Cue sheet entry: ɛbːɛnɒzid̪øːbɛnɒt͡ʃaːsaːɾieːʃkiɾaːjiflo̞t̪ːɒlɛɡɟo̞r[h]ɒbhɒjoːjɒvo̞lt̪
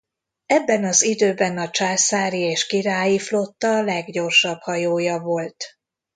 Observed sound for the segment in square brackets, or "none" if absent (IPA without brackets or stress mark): ʃ